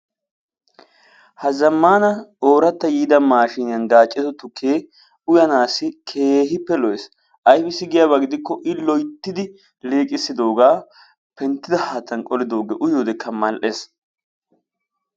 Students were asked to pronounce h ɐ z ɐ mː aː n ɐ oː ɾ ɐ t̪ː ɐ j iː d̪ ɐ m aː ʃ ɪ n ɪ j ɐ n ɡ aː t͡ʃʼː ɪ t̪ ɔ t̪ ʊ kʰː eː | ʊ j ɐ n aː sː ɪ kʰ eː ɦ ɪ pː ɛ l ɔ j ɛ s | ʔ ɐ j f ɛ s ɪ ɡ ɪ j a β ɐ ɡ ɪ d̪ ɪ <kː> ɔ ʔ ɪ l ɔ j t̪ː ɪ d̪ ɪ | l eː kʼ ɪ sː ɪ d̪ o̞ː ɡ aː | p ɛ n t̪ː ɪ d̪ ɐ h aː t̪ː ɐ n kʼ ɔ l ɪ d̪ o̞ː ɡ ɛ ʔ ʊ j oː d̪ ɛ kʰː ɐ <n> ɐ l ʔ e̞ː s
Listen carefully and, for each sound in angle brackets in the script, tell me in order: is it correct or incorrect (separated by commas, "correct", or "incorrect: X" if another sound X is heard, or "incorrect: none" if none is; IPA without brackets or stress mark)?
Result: correct, incorrect: m